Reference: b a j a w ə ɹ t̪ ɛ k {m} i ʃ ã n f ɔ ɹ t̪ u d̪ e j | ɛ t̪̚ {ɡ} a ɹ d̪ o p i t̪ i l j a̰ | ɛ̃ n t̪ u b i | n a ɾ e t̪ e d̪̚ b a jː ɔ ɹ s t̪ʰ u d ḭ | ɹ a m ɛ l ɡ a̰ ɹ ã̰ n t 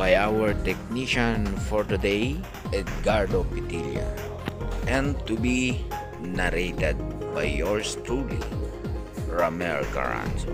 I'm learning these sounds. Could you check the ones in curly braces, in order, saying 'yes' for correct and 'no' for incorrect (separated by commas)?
no, yes